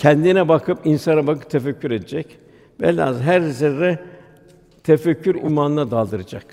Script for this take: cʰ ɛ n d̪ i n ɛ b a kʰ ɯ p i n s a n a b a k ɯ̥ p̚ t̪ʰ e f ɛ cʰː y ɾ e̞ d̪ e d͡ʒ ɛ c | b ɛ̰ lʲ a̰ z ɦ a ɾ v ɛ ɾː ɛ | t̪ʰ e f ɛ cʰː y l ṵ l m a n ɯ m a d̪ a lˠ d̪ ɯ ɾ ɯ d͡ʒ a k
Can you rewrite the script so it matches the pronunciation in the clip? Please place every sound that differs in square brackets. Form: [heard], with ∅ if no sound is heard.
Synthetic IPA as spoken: cʰ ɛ n d̪ i n ɛ b a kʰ ɯ p i n s a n a b a k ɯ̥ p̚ t̪ʰ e f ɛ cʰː y ɾ e̞ d̪ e d͡ʒ ɛ c | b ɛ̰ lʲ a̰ z ɦ [æ] ɾ [z] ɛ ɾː ɛ | t̪ʰ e f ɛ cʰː y [ɾ] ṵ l m a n ɯ [n] a d̪ a lˠ d̪ ɯ ɾ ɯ d͡ʒ a k